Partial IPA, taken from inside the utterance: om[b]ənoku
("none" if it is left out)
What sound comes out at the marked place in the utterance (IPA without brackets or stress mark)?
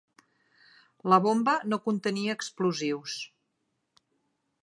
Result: b